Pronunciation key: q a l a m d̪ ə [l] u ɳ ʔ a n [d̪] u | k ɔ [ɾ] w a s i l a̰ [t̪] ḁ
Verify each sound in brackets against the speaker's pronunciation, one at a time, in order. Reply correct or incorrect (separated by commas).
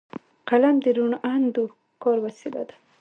incorrect, correct, correct, incorrect